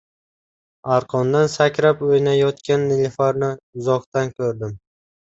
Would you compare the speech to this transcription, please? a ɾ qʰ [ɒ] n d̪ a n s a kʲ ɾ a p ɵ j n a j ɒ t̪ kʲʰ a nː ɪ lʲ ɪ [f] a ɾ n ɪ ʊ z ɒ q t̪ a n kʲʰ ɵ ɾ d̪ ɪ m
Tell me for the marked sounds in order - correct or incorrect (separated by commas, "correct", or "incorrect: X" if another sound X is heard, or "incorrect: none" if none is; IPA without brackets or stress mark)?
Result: correct, correct